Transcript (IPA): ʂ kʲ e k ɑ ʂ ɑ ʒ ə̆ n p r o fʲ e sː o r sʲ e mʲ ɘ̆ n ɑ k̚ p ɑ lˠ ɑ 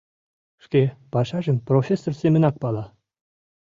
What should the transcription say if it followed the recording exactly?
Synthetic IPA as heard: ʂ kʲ e p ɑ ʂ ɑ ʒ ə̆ m p r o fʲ e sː o r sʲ e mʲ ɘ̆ n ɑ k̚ p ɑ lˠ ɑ

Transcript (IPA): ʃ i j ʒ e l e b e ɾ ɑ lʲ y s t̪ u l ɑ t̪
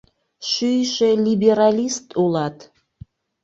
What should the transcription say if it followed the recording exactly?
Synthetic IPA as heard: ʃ y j ʃ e l i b e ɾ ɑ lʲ i s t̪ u l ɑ t̪

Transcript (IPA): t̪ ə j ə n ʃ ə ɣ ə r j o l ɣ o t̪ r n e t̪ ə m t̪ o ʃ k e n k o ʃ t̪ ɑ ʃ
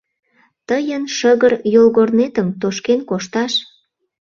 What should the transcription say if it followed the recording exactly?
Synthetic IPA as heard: t̪ ə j ə n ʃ ə ɣ ə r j o l ɣ o r n e t̪ ə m t̪ o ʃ k e n k o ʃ t̪ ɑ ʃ

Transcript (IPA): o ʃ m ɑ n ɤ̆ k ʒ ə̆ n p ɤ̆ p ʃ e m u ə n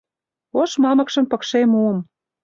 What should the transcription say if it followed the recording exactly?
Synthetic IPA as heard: o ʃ m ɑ m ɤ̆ k ʃ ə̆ m p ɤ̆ k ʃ e m u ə m

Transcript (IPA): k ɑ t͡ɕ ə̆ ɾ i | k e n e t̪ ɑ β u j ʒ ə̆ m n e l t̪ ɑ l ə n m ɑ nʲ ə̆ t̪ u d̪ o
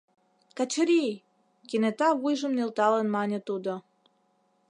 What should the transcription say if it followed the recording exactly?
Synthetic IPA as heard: k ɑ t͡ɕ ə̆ ɾ i | k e n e t̪ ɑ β u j ʒ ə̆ m n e l t̪ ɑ l ə n m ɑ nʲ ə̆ t̪ u d̪ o

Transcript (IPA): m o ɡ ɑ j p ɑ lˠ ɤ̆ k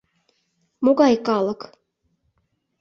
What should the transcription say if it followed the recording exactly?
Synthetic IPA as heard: m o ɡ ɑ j k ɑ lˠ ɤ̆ k

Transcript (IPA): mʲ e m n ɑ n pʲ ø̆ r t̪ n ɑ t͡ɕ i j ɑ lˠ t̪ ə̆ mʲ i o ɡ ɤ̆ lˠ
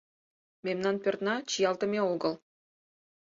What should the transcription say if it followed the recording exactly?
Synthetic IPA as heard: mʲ e m n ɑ n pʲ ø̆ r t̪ n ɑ t͡ɕ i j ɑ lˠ t̪ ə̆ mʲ e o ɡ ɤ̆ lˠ

